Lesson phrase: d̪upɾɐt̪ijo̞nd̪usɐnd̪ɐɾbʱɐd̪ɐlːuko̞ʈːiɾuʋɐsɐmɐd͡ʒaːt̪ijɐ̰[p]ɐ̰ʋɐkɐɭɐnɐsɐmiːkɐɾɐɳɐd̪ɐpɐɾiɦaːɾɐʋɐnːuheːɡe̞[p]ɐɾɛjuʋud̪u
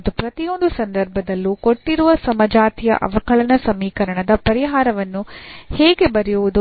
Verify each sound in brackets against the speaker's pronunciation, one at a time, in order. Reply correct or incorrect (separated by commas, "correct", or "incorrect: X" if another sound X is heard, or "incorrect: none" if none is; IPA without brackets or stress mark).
incorrect: ʔ, incorrect: b